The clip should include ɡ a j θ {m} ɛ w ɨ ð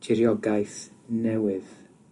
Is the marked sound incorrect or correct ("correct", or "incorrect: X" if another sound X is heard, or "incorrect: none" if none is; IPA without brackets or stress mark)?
incorrect: n